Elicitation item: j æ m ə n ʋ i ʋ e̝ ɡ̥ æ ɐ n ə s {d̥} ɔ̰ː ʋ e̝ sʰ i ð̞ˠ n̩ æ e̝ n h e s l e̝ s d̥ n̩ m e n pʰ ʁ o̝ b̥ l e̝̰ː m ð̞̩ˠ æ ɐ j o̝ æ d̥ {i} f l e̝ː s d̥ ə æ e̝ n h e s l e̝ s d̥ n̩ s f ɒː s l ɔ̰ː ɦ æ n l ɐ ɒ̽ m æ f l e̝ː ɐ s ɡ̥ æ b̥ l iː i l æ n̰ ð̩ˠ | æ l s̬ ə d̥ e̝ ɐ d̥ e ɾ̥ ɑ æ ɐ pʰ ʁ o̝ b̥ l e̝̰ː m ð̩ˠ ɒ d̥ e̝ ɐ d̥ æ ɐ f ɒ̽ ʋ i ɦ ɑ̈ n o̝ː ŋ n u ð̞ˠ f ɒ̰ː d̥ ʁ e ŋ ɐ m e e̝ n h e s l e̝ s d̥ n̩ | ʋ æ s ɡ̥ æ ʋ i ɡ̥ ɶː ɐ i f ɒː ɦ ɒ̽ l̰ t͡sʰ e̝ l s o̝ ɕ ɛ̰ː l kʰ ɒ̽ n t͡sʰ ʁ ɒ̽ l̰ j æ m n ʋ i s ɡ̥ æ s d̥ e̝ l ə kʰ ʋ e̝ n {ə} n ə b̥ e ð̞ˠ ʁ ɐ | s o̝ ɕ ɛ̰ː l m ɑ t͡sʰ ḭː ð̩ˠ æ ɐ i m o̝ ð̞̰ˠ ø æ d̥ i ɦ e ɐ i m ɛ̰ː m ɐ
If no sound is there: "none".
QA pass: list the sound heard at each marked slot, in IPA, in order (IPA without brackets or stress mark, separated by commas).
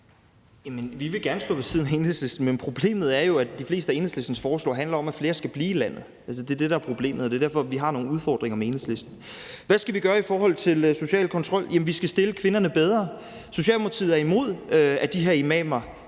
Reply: d̥, i, ɐ